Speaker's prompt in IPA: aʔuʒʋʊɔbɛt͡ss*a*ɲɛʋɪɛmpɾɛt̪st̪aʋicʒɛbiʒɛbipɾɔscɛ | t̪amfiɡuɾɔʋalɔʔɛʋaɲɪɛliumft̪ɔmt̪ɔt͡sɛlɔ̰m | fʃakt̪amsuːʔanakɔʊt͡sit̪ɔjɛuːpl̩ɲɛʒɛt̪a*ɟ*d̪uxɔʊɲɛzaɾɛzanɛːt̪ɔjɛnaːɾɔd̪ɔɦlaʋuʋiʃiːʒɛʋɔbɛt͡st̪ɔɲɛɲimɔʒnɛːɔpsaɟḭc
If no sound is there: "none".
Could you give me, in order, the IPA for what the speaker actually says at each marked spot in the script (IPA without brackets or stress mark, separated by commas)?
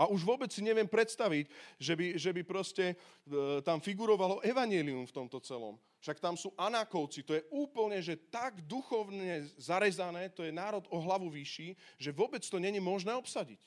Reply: i, ɡ